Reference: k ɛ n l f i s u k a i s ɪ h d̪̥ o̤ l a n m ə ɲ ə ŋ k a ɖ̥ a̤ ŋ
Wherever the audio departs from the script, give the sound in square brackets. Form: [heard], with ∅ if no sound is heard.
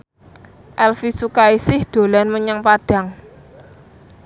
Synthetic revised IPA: [ʔ] ɛ [∅] l f i s u k a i s ɪ h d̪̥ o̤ l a n m ə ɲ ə ŋ [p] a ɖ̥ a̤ ŋ